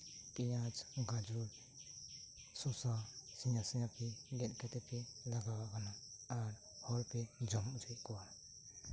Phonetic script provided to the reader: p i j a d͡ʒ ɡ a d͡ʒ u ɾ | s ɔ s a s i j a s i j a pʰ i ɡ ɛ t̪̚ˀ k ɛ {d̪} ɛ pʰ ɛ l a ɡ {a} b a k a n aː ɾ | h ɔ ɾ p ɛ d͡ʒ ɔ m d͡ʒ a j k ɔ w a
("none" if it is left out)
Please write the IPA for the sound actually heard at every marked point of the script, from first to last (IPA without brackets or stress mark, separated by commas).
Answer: t̪, a